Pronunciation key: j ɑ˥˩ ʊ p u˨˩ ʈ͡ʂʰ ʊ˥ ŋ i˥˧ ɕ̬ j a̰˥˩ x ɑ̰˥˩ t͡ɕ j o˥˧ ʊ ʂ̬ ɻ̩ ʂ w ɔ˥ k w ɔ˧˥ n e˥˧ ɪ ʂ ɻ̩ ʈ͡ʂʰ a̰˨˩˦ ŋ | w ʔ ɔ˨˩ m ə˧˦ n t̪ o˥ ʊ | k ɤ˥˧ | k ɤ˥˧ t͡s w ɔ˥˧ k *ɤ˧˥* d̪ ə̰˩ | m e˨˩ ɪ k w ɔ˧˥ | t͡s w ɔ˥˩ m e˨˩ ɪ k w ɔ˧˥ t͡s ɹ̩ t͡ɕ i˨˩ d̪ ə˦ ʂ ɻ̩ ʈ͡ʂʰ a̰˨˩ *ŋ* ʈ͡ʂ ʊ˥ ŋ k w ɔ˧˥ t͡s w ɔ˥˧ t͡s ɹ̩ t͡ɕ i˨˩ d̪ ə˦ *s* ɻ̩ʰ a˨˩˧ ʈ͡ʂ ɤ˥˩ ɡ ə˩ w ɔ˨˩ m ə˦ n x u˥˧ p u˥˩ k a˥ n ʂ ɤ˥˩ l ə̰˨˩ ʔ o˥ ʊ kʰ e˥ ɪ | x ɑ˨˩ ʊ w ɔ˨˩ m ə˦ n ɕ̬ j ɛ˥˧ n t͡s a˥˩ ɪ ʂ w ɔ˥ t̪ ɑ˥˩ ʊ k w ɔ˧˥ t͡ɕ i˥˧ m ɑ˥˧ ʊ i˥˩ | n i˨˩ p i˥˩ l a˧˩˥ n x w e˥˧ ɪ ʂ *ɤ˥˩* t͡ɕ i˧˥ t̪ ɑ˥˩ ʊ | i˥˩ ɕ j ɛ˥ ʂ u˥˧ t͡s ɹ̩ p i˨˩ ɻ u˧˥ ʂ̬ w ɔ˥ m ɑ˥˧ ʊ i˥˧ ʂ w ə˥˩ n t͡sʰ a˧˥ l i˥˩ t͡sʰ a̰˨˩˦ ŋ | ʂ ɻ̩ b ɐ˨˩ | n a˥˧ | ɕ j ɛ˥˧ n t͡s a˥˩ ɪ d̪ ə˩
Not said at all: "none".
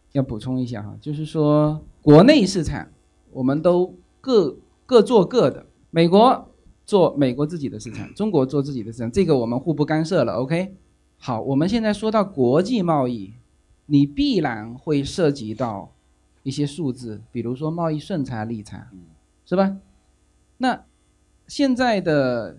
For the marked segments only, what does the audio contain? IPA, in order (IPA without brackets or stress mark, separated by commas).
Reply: ɤ˥˩, ŋ, ʂ, ɤ˥˩